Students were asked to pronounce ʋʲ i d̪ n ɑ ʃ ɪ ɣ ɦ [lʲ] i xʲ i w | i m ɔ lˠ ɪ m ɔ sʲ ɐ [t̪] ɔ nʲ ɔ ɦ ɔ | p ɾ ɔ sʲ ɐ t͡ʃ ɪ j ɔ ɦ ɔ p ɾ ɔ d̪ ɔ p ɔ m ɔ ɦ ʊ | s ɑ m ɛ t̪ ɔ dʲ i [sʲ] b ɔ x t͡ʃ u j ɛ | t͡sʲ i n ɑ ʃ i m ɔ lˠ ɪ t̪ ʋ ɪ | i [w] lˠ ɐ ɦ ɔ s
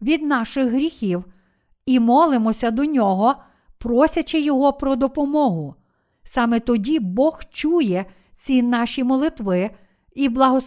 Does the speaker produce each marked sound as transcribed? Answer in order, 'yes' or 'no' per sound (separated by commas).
no, no, no, no